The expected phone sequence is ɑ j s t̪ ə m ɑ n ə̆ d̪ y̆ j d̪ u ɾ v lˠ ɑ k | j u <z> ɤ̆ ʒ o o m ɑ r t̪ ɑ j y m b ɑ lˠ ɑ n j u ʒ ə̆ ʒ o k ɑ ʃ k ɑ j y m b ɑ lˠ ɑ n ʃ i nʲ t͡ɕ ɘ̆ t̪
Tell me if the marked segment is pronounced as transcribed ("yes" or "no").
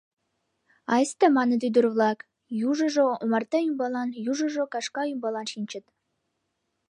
no